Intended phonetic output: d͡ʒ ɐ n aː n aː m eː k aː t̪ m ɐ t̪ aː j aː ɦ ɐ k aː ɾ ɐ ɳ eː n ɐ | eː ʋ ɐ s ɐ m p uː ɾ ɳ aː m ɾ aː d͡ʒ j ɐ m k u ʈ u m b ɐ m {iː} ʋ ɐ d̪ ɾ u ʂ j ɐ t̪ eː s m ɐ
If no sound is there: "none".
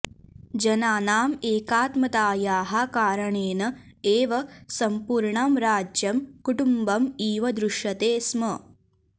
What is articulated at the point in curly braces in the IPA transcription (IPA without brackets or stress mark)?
iː